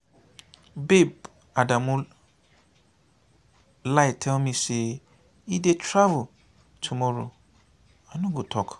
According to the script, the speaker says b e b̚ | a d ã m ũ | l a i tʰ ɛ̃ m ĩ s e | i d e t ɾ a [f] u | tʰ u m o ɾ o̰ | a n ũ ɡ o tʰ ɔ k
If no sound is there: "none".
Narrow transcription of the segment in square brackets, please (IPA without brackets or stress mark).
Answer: v